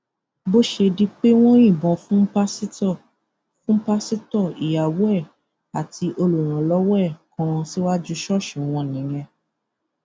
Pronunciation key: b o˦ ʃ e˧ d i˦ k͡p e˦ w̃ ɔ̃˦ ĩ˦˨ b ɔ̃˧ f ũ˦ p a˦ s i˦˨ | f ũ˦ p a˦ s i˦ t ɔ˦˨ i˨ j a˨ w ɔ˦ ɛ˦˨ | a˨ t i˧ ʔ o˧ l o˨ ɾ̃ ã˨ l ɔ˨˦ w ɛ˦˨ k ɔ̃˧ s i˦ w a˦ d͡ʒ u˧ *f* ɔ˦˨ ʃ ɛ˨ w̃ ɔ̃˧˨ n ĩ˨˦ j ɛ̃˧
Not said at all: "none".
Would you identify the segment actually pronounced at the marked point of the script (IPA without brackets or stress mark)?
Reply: ʃ